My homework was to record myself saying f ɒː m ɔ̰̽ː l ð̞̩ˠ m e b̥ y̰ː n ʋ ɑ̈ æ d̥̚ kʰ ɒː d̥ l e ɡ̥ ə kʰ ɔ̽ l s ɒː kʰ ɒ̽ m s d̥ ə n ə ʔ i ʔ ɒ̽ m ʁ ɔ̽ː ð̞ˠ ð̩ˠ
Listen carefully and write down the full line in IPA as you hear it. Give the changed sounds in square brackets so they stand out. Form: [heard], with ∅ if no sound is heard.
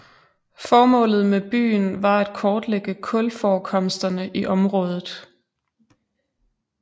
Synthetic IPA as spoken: f ɒː m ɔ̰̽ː l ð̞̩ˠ m e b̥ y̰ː n ʋ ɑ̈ æ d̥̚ kʰ ɒː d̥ l e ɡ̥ ə kʰ ɔ̽ l [f] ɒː kʰ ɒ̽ m s d̥ [ɐ] n ə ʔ i ʔ ɒ̽ m ʁ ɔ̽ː ð̞ˠ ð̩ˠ